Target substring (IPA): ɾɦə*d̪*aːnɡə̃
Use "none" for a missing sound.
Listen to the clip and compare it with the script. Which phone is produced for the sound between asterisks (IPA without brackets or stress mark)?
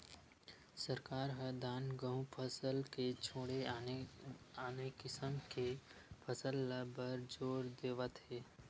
d̪